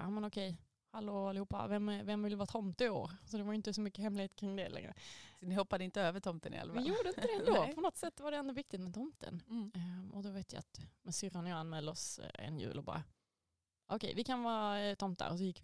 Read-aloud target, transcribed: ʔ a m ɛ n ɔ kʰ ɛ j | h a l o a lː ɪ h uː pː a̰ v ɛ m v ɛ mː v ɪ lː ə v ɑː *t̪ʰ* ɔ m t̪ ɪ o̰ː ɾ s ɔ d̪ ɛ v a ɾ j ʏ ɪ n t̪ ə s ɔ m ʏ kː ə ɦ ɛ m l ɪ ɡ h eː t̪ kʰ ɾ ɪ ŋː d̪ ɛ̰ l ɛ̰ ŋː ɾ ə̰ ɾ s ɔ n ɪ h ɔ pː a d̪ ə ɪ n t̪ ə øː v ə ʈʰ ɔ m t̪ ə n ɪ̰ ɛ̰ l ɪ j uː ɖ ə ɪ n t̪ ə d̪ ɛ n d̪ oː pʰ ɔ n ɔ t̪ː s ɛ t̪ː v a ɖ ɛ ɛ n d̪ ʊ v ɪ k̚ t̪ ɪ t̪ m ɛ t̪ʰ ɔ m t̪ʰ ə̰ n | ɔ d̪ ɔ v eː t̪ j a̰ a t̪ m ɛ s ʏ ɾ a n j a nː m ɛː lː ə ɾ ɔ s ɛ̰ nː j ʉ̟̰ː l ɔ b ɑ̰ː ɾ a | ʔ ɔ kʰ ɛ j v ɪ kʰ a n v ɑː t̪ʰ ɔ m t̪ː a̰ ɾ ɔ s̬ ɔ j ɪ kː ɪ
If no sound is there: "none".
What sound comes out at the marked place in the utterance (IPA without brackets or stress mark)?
t̪ʰ